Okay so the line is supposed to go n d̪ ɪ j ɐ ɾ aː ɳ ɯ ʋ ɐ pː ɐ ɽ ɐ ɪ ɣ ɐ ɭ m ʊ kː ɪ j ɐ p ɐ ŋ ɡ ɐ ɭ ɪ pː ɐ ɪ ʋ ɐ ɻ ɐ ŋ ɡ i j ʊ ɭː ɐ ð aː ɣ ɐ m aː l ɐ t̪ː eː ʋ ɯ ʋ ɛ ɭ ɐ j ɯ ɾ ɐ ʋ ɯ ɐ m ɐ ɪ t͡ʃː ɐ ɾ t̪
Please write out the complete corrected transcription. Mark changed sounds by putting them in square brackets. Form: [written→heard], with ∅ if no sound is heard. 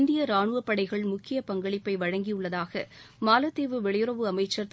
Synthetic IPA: n d̪ ɪ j ɐ ɾ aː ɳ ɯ ʋ ɐ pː ɐ ɽ ɐ ɪ ɣ ɐ ɭ m ʊ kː ɪ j ɐ p ɐ ŋ ɡ ɐ ɭ ɪ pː ɐ ɪ ʋ ɐ ɻ ɐ ŋ ɡ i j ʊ ɭː ɐ ð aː ɣ ɐ m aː l ɐ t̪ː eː ʋ ɯ ʋ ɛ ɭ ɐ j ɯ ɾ ɐ ʋ ɯ ɐ m ɐ ɪ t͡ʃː ɐ ɾ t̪